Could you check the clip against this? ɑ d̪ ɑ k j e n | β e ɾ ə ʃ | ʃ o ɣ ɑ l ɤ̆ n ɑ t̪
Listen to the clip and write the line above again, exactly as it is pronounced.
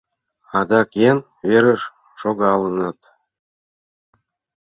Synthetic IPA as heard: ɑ d̪ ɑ k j e n | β e ɾ ə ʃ | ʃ o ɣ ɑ l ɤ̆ n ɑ t̪